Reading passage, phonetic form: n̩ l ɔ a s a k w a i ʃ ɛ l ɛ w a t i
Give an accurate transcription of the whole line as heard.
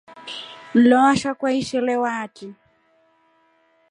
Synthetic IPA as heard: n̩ l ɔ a ʃ a k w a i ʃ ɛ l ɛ w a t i